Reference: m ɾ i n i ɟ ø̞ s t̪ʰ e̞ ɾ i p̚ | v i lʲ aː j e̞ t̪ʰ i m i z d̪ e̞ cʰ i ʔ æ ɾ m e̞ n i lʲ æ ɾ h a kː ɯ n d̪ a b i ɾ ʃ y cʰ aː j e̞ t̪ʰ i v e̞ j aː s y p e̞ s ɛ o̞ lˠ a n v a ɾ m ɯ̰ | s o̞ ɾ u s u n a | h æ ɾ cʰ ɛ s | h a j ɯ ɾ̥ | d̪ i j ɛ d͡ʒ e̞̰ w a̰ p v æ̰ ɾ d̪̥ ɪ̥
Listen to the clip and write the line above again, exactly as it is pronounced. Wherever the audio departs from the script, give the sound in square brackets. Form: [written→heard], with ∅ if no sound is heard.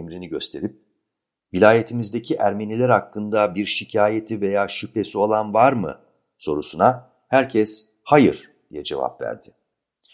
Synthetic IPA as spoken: m ɾ i n i ɟ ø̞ s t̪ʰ e̞ ɾ i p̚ | v i lʲ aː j e̞ t̪ʰ i m i z d̪ e̞ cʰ i ʔ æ ɾ m e̞ n i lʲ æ ɾ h a kː ɯ n d̪ a b i ɾ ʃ [y→i] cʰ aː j e̞ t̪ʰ i v e̞ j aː [s→ʃ] y p e̞ s [ɛ→i] o̞ lˠ a n v a ɾ m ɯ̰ | s o̞ ɾ u s u n a | h æ ɾ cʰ ɛ s | h a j ɯ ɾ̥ | d̪ i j ɛ d͡ʒ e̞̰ [w→v] a̰ p v æ̰ ɾ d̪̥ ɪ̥